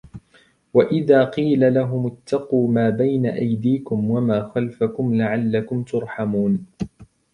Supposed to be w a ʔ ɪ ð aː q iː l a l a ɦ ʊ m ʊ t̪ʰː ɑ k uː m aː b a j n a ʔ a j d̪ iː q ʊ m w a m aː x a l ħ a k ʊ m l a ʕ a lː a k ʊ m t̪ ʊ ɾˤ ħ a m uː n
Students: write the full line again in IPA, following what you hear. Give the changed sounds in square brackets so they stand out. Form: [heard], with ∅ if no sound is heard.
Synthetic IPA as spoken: w a ʔ ɪ ð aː q iː l a l a ɦ ʊ m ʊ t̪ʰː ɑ [q] uː m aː b a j n a ʔ a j d̪ iː [k] ʊ m w a m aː x a l [f] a k ʊ m l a ʕ a lː a k ʊ m t̪ ʊ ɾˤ ħ a m uː n